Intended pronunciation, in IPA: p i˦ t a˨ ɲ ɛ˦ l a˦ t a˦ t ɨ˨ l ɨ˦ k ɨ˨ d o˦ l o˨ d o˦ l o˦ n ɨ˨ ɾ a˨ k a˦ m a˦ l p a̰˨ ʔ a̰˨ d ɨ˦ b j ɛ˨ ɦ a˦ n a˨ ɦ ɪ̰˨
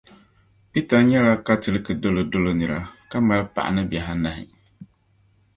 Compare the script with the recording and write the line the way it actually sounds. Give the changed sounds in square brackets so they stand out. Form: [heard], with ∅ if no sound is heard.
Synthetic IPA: p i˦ t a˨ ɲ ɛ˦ l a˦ [k] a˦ t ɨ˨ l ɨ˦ k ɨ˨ d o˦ l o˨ d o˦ l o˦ n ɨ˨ ɾ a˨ k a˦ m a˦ l p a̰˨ ʔ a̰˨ [n] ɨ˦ b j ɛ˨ ɦ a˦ n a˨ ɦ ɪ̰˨